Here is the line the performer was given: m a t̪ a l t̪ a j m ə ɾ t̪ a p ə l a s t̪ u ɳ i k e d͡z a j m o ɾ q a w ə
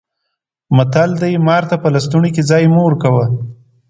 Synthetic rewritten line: m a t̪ a l d̪ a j m ɑ ɾ t̪ a p ə l a s t̪ u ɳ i k e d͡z ɑ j m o ɾ k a w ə